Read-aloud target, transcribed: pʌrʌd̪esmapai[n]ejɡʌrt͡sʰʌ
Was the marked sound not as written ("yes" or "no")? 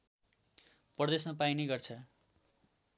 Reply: no